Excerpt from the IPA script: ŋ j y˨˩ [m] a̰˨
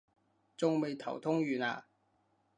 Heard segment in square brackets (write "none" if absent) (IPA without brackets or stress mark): n